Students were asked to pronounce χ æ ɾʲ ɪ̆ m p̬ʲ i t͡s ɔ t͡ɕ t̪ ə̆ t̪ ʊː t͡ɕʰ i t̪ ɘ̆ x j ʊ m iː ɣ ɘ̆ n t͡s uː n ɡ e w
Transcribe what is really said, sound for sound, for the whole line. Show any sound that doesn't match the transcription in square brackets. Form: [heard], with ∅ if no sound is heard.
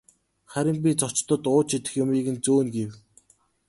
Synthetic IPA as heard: χ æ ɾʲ ɪ̆ m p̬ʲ i t͡s ɔ t͡ɕ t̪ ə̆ t̪ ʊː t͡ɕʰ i t̪ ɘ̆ x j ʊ m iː ɣ ɘ̆ n t͡s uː n ɡ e w